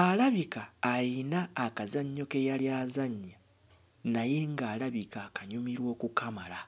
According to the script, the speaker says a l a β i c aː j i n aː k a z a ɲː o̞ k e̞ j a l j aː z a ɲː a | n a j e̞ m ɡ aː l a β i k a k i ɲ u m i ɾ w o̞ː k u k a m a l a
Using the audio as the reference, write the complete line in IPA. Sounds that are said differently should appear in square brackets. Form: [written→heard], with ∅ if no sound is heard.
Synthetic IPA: a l a β i [c→k] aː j i n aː k a z a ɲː o̞ k e̞ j a l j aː z a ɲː a | n a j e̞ [m→ŋ] ɡ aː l a β i k a k [i→a] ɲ u m i ɾ w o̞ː k u k a m a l a